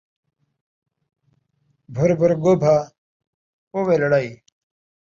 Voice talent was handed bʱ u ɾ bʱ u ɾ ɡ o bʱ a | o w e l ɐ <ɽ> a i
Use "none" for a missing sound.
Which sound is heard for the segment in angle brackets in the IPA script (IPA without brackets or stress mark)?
ɽ